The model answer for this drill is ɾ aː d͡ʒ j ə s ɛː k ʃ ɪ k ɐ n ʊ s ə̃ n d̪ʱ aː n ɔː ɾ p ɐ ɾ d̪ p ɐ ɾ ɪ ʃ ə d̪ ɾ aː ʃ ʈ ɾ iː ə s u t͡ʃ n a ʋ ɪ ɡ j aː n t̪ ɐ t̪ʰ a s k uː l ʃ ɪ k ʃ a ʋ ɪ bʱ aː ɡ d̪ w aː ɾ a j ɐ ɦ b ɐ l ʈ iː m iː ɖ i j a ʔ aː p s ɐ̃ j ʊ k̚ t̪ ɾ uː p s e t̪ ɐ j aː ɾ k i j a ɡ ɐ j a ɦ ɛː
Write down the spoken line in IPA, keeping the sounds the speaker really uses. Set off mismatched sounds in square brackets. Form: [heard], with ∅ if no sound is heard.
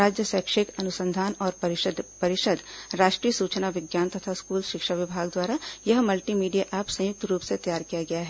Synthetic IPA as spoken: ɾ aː d͡ʒ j ə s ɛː k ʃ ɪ k ɐ n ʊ s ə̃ n d̪ʱ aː n ɔː ɾ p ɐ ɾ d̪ p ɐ ɾ ɪ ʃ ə d̪ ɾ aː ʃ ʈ ɾ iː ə s [uː] t͡ʃ n a ʋ ɪ ɡ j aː n t̪ ɐ t̪ʰ a s k uː l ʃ ɪ k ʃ a ʋ ɪ bʱ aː ɡ d̪ w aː ɾ a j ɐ ɦ [m] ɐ l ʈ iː m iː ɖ i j a ʔ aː p s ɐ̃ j ʊ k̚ t̪ ɾ uː p s e t̪ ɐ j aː ɾ k i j a ɡ ɐ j a ɦ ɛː